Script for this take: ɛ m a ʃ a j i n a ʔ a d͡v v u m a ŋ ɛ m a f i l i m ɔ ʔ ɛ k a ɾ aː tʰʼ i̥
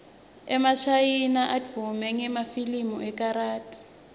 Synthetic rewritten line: ɛ m a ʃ a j i n a ʔ a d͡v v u m ɛ ŋ ɛ m a f i l i m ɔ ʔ ɛ k a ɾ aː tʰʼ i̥